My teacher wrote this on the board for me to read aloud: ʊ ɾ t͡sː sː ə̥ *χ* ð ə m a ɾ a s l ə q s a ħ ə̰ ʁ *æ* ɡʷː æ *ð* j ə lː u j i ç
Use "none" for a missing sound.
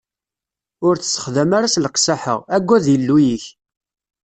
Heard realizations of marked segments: χ, æ, ð

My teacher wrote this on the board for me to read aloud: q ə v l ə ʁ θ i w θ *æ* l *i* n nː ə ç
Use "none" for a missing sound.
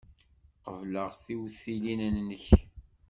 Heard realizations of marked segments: i, i

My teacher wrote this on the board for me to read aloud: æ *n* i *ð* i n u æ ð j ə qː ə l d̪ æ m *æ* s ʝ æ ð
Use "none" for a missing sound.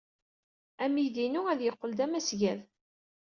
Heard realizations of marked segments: m, ð, æ

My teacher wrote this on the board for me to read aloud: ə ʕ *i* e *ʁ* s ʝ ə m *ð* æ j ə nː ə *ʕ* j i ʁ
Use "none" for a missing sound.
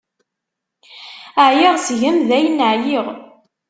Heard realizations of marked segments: j, ʁ, ð, ʕ

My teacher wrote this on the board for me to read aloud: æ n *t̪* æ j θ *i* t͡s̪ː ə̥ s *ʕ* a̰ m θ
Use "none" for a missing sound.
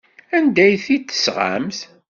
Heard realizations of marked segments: d̪, i, ʁ

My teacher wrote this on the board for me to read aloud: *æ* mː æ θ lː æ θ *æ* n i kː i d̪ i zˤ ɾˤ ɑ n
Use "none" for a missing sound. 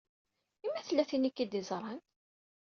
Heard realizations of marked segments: i, i

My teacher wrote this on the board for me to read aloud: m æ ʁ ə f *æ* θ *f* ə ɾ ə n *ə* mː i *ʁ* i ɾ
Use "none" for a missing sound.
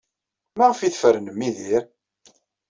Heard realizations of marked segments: i, f, ə, ð

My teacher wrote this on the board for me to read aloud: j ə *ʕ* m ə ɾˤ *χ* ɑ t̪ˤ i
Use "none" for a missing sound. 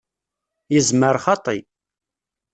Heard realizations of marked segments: z, χ

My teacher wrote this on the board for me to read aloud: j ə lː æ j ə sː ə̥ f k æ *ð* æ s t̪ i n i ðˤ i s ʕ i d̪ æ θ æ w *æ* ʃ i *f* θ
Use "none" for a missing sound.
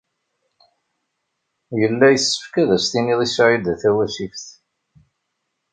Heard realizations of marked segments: ð, æ, f

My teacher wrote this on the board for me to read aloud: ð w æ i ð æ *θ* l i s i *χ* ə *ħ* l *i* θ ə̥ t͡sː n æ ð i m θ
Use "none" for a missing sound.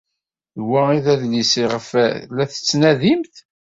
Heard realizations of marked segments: ð, ʁ, f, æ

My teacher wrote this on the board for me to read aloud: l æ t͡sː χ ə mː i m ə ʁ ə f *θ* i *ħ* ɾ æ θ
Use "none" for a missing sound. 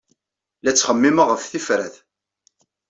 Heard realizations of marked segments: θ, f

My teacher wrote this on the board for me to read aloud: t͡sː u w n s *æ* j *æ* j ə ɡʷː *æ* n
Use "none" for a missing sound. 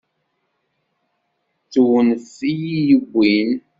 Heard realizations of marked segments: i, i, i

